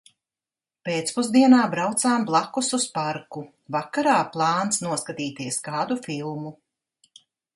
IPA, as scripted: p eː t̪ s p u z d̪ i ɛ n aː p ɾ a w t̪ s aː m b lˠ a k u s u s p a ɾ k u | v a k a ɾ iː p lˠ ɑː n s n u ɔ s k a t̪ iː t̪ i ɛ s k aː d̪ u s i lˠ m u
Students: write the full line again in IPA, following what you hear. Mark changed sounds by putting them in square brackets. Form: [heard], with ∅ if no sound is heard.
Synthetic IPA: p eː t̪ s p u z d̪ i ɛ n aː [b] ɾ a w t̪ s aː m b lˠ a k u s u s p a ɾ k u | v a k a ɾ [aː] p lˠ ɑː n s n u ɔ s k a t̪ iː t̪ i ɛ s k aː d̪ u [f] i lˠ m u

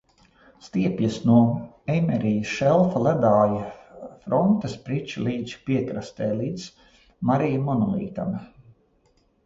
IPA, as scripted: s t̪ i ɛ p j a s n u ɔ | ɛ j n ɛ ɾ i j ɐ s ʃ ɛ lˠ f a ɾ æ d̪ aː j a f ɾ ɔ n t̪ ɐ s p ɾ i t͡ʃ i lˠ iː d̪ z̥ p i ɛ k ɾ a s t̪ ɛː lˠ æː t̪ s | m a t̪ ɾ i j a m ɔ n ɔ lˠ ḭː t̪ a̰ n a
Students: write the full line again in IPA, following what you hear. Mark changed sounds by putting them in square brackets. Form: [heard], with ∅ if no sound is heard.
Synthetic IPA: s t̪ i ɛ p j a s n u ɔ | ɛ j [m] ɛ ɾ i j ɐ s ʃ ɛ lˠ f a [l] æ d̪ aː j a f ɾ ɔ n t̪ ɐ s p ɾ i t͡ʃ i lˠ iː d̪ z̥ p i ɛ k ɾ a s t̪ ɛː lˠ [iː] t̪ s | m a [∅] ɾ i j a m ɔ n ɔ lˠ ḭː t̪ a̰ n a

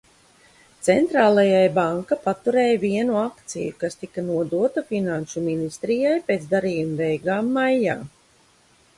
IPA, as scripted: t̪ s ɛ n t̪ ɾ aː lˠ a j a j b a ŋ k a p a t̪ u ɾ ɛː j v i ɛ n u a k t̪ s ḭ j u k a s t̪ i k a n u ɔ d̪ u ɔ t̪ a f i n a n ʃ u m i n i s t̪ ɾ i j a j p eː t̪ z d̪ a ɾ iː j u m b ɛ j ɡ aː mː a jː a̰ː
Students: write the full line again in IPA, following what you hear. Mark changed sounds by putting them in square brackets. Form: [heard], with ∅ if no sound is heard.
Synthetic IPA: t̪ s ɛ n t̪ ɾ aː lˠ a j a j b a ŋ k a p a t̪ u ɾ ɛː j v i ɛ n u a k t̪ s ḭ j u k a s t̪ i k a n u ɔ d̪ u ɔ t̪ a f i n a n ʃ u m i n i s t̪ ɾ i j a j p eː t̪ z d̪ a ɾ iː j u m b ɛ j ɡ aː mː a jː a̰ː

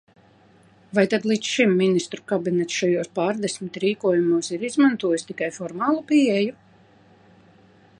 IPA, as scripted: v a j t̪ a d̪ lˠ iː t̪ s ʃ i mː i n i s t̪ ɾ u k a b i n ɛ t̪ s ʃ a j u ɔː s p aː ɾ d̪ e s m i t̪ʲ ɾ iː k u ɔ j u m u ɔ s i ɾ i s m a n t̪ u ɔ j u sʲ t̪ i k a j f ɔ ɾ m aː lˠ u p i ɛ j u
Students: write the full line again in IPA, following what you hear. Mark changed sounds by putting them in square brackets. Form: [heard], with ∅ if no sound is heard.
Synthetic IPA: v a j t̪ a d̪ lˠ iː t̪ s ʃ i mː i n i s t̪ ɾ u k a b i n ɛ t̪ s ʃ a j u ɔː s p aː ɾ d̪ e s m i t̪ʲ ɾ iː k u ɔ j u m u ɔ s i ɾ i [z] m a n t̪ u ɔ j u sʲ t̪ i k a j f ɔ ɾ m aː lˠ u p i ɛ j u

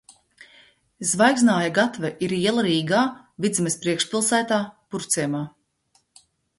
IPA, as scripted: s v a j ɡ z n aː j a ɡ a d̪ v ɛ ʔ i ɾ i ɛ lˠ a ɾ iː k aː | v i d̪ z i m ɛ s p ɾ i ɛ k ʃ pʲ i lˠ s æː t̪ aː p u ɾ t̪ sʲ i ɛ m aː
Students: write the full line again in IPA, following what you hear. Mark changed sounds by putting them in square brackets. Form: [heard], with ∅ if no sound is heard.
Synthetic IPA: [z] v a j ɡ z n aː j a ɡ a [t̪] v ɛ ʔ i ɾ i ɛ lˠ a ɾ iː [ɡ] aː | v i d̪ z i m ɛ s p ɾ i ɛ k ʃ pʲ i lˠ s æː t̪ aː p u ɾ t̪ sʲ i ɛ m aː

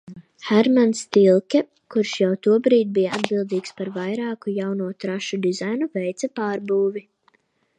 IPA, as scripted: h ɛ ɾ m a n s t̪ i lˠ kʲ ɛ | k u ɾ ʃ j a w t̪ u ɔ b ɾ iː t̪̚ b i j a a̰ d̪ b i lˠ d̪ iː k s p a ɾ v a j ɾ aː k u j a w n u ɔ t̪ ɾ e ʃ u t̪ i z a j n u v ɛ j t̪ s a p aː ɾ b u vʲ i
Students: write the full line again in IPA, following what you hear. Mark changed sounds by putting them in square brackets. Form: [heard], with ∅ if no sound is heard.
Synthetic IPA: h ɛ ɾ m a n s t̪ i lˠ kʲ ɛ | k u ɾ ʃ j a w t̪ u ɔ b ɾ iː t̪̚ b i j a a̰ d̪ b i lˠ d̪ iː k s p a ɾ v a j ɾ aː k u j a w n u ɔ t̪ ɾ [a] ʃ u [d̪] i z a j n u v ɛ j t̪ s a p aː ɾ b [uː] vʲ i

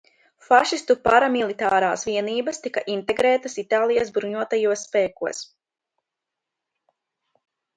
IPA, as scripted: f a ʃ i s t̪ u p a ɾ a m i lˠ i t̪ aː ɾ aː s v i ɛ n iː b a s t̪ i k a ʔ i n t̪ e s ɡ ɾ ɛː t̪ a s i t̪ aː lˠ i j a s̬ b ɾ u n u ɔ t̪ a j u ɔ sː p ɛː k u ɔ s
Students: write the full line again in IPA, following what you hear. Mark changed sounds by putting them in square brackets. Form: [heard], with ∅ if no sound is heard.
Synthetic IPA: f a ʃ i s t̪ u p a ɾ a m i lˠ i t̪ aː ɾ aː s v i ɛ n iː b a s t̪ i k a ʔ i n t̪ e [∅] ɡ ɾ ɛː t̪ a s i t̪ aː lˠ i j a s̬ b ɾ u [ɲ] u ɔ t̪ a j u ɔ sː p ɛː k u ɔ s

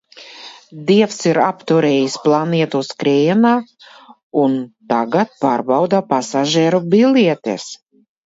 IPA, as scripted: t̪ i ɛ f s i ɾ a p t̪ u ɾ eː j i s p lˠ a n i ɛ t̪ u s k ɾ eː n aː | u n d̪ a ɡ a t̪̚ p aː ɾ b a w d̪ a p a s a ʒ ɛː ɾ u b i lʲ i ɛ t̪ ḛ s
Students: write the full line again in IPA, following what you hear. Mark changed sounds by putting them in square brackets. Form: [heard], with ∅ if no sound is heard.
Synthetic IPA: [d̪] i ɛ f s i ɾ a p t̪ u ɾ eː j i s p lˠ a n i ɛ t̪ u s k ɾ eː n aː | u n [t̪] a ɡ a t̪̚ p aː ɾ b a w d̪ a p a s a ʒ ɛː ɾ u b i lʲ i ɛ t̪ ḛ s

